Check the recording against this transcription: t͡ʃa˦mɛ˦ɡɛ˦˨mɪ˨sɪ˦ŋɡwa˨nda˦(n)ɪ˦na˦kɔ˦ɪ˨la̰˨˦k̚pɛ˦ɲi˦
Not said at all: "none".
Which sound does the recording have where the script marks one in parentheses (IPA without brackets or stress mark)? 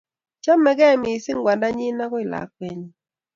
ɲ